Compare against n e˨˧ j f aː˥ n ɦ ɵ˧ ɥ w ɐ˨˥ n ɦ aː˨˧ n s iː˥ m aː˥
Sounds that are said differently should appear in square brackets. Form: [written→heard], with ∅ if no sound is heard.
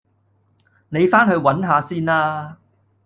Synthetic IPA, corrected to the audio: n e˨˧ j f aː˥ n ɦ ɵ˧ ɥ w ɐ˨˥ n ɦ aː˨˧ [n→∅] s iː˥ [m→n] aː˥